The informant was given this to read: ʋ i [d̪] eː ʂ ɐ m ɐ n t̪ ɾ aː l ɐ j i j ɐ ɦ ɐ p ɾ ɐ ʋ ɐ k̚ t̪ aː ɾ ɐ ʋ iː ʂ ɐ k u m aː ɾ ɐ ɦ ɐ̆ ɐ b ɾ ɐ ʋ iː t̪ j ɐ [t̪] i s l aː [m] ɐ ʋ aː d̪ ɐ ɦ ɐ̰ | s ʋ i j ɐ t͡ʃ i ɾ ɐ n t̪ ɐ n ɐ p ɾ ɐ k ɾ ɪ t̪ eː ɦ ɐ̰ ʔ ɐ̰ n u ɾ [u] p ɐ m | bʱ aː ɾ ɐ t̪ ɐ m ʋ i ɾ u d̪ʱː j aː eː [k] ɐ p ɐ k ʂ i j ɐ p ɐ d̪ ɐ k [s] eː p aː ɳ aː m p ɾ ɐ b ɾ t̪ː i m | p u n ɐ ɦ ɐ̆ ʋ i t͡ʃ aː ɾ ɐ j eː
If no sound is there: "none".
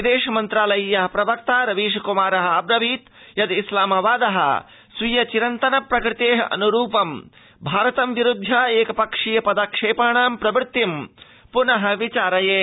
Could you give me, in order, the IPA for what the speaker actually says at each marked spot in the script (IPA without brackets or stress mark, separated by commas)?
d̪, d̪, m, uː, k, ʂ